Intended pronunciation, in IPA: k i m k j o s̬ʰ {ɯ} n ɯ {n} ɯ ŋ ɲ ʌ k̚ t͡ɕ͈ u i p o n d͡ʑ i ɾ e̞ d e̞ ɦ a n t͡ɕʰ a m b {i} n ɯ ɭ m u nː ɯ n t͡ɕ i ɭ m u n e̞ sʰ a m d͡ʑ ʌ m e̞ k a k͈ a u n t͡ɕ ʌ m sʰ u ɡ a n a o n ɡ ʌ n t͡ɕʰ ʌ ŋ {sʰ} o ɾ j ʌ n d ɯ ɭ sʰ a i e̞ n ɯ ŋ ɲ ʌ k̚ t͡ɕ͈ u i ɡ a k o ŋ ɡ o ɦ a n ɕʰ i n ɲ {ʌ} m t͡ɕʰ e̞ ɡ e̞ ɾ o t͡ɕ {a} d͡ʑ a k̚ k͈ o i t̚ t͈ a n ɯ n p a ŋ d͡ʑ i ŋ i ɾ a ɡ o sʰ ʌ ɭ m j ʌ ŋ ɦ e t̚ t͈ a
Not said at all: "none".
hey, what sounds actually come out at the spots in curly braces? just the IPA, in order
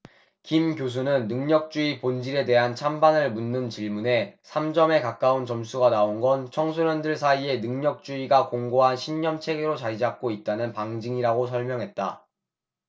u, nː, a, sʰ, ʌ, a

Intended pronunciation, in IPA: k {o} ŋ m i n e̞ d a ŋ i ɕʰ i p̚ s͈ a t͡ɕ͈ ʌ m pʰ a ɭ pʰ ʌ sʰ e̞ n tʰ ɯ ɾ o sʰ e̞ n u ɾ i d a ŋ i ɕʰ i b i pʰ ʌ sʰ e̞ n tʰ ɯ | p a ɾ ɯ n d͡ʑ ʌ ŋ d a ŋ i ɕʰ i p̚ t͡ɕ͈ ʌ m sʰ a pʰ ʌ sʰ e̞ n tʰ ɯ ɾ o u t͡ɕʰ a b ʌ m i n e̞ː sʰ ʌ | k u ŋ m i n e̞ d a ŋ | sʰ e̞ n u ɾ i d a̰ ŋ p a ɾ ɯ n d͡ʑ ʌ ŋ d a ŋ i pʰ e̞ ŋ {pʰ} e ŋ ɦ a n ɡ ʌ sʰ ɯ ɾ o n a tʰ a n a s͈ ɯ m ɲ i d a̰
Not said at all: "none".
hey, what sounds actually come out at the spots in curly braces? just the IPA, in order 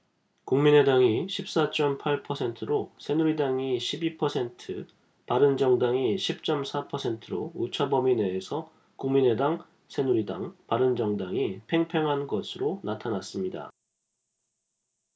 u, pʰ

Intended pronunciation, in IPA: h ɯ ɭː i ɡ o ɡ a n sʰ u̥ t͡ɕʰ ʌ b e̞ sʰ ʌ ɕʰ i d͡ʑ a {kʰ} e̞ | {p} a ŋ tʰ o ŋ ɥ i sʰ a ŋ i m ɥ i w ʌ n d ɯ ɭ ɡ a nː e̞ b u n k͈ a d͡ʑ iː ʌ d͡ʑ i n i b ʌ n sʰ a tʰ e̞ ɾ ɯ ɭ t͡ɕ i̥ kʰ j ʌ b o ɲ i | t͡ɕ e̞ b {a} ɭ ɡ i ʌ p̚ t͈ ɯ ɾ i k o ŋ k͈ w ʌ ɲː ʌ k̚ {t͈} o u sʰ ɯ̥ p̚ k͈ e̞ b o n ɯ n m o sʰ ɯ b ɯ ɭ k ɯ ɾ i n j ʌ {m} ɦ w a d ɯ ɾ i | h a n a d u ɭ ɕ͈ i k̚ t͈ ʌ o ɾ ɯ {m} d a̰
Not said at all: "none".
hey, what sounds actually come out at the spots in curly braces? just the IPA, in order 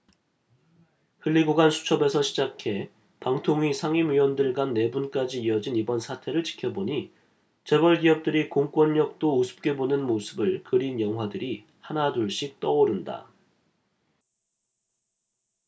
kʰ, p, ʌ, t͈, ŋ, n

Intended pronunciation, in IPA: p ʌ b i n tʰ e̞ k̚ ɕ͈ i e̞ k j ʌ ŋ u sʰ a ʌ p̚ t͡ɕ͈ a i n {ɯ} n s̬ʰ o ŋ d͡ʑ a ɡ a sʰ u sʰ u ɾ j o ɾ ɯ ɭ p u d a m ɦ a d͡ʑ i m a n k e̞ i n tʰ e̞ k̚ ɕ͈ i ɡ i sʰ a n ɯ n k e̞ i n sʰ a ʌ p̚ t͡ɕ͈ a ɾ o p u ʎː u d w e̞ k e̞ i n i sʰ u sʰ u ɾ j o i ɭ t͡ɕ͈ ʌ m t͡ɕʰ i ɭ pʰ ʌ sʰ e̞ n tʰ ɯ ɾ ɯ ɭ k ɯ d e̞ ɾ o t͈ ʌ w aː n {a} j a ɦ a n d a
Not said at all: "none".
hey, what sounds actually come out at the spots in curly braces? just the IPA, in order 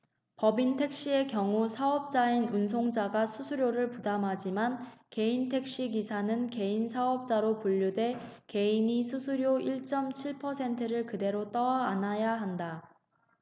u, a

